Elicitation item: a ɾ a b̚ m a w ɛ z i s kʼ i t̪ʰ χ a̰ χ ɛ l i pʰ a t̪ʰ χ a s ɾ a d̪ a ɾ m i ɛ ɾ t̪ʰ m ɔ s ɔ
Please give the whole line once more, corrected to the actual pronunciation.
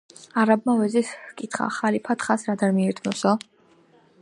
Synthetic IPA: a ɾ a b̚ m a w ɛ z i s kʼ i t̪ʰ χ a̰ χ a l i pʰ a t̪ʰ χ a s ɾ a d̪ a ɾ m i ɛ ɾ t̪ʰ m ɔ s ɔ